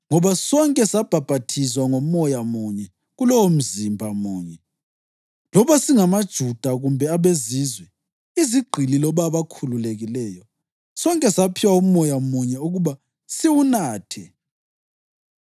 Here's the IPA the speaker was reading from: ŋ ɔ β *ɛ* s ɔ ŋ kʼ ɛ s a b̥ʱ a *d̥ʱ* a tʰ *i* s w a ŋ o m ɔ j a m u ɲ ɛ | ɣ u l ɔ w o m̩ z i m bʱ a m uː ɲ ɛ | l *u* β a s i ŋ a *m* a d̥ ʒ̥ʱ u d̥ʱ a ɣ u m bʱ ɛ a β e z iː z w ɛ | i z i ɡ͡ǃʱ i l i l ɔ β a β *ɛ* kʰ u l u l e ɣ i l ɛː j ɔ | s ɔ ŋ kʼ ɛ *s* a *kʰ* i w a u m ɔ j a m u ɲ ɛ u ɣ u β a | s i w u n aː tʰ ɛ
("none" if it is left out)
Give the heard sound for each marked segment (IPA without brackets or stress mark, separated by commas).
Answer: a, b̥ʱ, i, ɔ, m, a, s, pʰ